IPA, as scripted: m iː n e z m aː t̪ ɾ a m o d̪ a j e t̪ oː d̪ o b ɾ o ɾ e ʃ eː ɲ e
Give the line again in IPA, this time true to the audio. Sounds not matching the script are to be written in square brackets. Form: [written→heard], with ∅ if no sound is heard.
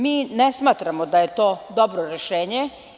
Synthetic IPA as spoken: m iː n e [z→s] m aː t̪ ɾ a m o d̪ a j e t̪ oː d̪ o b ɾ o ɾ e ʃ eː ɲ e